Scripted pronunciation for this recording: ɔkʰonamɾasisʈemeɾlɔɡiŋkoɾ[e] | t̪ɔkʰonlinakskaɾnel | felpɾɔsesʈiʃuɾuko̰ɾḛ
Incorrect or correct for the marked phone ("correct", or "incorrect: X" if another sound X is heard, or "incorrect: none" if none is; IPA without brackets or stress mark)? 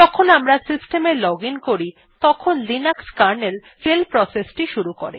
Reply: incorrect: i